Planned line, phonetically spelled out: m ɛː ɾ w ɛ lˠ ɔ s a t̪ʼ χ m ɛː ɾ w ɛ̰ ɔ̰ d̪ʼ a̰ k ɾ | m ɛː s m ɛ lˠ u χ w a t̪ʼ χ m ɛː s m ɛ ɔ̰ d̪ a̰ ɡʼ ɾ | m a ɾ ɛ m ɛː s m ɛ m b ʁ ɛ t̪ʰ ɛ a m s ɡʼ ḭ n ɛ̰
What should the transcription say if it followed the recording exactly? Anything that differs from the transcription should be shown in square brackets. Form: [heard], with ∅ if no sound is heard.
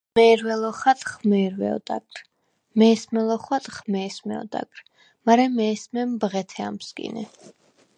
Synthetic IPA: m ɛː ɾ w ɛ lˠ ɔ [χ] a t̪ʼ χ m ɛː ɾ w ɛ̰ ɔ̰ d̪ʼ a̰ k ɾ | m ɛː s m ɛ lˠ [ɔ] χ w a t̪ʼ χ m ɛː s m ɛ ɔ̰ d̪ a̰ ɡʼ ɾ | m a ɾ ɛ m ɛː s m ɛ m b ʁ ɛ t̪ʰ ɛ a m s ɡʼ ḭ n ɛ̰